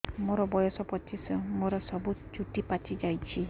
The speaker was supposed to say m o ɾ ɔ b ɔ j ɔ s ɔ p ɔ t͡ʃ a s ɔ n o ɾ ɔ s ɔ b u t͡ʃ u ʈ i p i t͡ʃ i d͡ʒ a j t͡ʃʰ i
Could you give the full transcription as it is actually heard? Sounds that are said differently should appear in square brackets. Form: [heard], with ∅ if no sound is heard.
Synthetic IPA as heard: m o ɾ ɔ b ɔ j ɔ s ɔ p ɔ t͡ʃ [i] s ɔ [m] o ɾ ɔ s ɔ b u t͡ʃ u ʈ i p [a] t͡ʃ i d͡ʒ a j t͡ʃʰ i